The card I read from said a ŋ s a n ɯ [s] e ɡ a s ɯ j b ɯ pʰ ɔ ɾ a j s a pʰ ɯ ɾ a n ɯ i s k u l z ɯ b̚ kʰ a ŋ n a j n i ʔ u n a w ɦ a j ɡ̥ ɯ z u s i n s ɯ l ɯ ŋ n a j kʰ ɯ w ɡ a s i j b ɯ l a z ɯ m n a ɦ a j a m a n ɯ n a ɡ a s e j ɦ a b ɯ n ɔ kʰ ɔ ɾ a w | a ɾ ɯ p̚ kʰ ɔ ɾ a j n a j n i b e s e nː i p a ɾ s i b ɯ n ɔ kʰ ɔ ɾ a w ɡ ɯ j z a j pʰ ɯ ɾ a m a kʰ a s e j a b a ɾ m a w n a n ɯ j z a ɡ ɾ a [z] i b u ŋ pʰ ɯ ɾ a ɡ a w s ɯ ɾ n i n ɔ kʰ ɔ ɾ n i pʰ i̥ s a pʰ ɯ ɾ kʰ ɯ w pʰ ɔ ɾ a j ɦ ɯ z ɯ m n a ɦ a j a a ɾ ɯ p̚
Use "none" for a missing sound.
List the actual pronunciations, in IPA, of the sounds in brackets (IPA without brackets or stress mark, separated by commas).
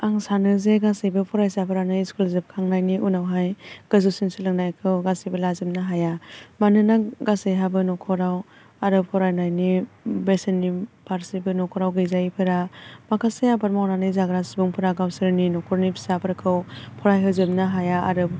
z, s